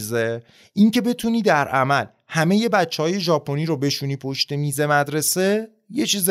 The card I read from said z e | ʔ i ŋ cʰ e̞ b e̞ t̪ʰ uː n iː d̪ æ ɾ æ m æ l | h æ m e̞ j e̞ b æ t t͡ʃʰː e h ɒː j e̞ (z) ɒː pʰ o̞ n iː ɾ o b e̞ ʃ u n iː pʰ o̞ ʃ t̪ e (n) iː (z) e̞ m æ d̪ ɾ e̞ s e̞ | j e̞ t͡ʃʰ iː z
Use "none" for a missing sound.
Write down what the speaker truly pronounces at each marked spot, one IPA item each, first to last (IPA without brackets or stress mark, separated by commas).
ʒ, m, z